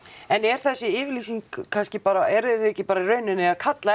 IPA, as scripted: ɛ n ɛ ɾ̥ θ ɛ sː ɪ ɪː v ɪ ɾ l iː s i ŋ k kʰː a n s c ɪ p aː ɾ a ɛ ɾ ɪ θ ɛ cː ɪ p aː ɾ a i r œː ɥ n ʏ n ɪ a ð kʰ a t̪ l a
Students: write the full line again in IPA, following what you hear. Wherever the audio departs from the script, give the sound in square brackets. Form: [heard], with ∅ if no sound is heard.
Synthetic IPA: ɛ n ɛ ɾ̥ θ ɛ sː ɪ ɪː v ɪ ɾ l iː s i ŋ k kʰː a n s c ɪ p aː ɾ a ɛ ɾ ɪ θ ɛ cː ɪ p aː ɾ a i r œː ɥ n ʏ n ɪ a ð kʰ a t̪ l a